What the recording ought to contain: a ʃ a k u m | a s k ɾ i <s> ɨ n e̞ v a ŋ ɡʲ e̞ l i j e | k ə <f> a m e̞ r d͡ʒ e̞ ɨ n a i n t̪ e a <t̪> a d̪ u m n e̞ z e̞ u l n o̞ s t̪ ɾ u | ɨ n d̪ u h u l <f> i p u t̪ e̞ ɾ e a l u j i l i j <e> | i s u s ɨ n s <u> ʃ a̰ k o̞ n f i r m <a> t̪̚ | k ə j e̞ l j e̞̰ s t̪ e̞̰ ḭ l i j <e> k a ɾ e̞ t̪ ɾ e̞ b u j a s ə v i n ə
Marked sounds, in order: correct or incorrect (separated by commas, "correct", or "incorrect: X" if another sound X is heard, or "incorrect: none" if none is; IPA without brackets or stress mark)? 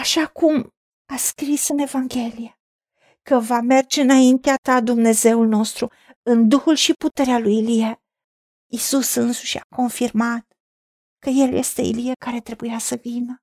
correct, incorrect: v, correct, incorrect: ʃ, correct, correct, correct, correct